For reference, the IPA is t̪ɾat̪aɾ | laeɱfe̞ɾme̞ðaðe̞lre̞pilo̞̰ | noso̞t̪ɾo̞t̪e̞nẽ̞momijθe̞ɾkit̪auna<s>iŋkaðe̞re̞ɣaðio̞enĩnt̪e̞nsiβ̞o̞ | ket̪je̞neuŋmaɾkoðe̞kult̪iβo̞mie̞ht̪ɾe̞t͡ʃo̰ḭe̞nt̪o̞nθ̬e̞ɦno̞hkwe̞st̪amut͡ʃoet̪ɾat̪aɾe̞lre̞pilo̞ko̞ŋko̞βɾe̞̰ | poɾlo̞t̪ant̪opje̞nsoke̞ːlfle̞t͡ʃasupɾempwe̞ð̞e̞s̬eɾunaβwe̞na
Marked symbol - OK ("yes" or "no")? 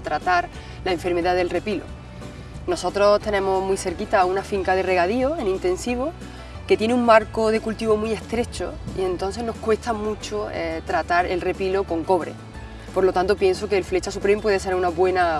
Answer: no